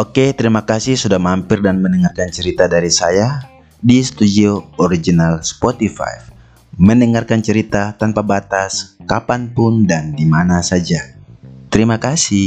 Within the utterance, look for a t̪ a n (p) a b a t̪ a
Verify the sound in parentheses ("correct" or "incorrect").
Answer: correct